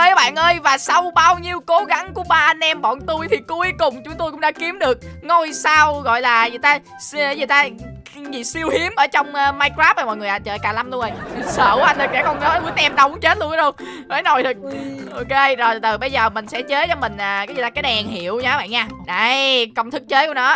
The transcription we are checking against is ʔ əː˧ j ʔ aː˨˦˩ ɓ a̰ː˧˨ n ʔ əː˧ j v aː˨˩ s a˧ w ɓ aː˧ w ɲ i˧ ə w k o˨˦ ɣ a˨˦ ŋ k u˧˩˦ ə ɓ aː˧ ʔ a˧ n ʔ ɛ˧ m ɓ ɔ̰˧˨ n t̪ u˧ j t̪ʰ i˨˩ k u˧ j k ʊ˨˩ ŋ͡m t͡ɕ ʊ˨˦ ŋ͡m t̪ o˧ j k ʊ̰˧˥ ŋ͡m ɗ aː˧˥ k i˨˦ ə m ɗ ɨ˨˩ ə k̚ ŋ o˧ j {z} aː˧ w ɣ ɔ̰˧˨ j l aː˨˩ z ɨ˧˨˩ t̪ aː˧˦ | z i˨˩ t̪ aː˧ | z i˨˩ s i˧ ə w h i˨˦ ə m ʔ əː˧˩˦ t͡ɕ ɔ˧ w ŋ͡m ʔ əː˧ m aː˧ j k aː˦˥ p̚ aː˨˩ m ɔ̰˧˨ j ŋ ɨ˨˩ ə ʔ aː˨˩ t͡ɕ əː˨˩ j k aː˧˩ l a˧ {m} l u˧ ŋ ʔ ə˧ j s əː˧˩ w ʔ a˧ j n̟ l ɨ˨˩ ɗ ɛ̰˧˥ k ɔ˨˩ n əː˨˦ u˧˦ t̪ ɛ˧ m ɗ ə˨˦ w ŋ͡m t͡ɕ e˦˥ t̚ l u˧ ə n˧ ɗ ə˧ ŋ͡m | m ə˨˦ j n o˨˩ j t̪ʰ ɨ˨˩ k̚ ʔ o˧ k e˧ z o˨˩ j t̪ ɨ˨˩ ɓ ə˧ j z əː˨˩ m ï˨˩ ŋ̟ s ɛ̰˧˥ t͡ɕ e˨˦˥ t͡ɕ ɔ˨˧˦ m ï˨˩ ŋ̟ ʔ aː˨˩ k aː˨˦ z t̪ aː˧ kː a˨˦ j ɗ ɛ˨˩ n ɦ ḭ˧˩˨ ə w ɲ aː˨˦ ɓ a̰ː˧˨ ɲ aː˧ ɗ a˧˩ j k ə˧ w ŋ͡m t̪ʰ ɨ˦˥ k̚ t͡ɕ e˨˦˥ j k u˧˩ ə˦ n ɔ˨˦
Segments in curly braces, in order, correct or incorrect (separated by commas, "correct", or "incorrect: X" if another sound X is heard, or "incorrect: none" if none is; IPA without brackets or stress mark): incorrect: s, correct